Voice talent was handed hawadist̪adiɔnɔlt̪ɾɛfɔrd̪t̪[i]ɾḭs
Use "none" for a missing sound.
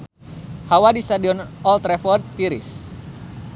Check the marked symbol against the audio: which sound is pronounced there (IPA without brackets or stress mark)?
i